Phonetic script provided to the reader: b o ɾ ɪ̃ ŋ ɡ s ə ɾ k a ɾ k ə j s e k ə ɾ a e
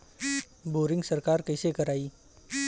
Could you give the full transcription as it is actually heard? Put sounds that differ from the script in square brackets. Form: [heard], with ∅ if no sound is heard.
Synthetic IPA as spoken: b o ɾ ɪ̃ ŋ ɡ s ə ɾ k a ɾ k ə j s e k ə ɾ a [i]

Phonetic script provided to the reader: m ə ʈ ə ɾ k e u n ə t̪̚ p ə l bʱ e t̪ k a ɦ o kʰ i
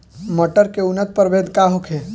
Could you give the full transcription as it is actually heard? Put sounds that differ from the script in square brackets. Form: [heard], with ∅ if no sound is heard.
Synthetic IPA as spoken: m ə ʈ ə ɾ k e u n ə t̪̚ p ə [ɾ] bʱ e [d̪] k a ɦ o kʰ [e]

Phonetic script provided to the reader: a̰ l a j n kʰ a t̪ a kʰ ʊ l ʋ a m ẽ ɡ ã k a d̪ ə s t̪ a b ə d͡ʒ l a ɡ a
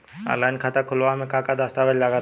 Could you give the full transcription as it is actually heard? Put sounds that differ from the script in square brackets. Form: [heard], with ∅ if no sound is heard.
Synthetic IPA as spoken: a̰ l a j n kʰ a t̪ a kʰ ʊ l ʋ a m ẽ [k] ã k a d̪ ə s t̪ a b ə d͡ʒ l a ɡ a

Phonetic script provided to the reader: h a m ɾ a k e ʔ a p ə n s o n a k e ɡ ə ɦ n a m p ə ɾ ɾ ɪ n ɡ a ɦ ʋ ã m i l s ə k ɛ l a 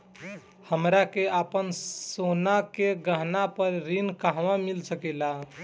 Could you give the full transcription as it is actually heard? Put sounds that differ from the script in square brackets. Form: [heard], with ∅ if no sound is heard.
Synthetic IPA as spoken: h [ə] m ɾ a k e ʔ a p ə n s o n a k e ɡ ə ɦ n a [∅] p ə ɾ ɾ [i] n [k] a ɦ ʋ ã m i l s ə k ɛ l a

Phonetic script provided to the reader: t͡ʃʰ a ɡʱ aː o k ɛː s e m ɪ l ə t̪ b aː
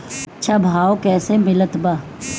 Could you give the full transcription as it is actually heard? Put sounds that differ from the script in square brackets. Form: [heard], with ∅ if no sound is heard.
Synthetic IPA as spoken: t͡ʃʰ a [bʱ] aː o k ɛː s e m ɪ l ə t̪ b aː

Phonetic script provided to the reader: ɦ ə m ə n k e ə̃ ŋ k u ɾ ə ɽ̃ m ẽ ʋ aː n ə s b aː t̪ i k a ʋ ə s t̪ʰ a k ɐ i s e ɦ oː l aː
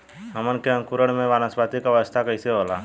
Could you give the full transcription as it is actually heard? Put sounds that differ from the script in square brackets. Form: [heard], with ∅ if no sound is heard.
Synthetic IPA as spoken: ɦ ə m ə n k e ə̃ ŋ k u ɾ ə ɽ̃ m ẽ ʋ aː n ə s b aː t̪ i k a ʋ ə s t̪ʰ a k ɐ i s e ɦ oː l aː

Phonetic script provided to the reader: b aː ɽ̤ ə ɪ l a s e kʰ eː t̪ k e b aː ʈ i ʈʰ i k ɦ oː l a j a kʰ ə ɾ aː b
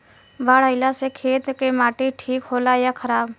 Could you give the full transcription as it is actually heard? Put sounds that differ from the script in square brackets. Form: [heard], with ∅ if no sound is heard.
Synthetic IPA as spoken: b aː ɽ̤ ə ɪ l a s e kʰ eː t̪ k e [m] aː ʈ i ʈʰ [iː] k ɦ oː l a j a kʰ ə ɾ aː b

